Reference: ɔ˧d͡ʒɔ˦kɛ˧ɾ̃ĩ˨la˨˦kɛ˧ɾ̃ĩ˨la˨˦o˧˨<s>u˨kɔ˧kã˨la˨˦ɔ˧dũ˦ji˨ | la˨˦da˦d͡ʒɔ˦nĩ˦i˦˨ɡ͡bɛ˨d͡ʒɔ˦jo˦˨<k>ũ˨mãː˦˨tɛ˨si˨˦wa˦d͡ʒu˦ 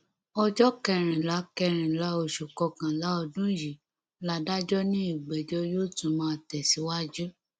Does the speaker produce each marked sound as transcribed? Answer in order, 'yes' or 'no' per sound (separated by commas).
no, no